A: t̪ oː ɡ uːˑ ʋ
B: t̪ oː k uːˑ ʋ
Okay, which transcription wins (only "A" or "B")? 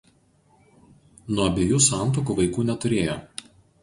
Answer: B